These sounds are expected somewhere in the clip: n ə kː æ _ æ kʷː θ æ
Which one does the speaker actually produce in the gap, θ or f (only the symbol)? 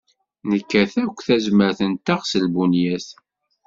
θ